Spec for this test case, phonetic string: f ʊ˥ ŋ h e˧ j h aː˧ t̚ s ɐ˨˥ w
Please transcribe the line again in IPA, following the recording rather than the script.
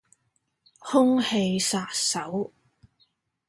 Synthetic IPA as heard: h ʊ˥ ŋ h e˧ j s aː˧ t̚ s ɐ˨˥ w